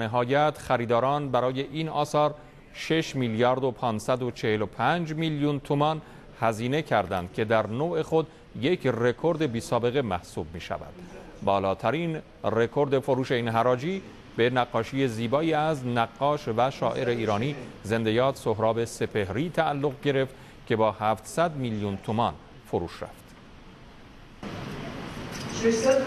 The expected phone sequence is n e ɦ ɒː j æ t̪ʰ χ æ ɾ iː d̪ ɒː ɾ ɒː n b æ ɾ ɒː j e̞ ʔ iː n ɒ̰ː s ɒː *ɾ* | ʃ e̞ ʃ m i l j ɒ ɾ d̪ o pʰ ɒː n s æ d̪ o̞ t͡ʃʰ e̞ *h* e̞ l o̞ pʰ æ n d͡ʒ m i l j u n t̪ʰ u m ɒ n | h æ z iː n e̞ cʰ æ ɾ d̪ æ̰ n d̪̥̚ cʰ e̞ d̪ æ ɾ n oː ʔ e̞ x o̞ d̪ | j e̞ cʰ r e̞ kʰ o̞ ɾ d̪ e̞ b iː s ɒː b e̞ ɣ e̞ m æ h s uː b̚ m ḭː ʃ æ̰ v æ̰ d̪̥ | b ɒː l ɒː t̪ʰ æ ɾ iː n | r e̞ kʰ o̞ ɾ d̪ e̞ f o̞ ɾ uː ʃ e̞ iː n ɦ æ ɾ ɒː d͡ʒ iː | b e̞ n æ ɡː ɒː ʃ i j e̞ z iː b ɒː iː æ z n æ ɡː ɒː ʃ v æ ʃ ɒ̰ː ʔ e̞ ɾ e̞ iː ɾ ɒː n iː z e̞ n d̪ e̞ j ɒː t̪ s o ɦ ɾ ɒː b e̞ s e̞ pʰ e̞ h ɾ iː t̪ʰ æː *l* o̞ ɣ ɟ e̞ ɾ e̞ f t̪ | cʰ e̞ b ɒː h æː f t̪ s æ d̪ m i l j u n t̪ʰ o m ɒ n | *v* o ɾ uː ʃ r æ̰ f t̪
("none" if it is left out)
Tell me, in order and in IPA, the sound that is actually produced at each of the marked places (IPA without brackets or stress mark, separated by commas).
ɾ, h, lː, f